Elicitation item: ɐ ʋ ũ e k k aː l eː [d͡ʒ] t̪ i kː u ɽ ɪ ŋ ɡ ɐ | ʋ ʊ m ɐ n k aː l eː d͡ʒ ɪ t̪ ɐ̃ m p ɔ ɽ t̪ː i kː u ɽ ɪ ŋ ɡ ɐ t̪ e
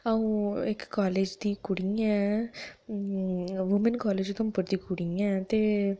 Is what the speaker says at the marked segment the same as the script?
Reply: yes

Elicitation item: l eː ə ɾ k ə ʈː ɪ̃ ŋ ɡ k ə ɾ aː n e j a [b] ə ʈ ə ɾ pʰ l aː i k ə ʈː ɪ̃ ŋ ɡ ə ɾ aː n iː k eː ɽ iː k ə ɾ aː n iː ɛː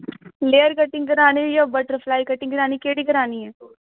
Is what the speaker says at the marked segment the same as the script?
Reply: yes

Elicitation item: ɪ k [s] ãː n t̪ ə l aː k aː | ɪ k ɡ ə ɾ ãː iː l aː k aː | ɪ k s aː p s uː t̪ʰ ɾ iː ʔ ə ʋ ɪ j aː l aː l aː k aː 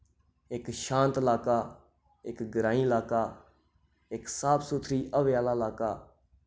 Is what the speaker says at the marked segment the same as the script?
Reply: no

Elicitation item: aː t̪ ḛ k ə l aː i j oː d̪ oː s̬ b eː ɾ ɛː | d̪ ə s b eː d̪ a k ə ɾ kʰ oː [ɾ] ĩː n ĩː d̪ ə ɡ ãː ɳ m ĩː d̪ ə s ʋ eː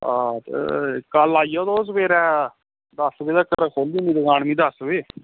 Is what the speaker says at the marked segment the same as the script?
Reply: no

